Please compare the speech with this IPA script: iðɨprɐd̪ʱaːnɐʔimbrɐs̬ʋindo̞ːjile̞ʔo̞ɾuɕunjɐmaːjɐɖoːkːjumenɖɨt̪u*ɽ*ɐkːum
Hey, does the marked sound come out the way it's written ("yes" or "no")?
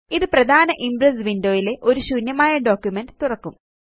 no